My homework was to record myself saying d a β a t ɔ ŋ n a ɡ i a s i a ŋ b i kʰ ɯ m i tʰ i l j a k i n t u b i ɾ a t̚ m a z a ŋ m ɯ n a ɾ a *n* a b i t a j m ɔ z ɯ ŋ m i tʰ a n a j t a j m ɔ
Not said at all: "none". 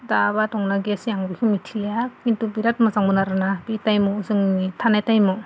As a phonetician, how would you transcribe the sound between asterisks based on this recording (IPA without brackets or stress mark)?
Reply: n